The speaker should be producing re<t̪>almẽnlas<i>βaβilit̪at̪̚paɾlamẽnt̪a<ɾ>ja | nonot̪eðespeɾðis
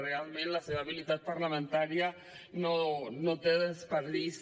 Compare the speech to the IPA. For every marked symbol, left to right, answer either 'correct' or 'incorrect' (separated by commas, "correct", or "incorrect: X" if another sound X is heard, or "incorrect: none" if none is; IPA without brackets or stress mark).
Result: incorrect: none, incorrect: e, correct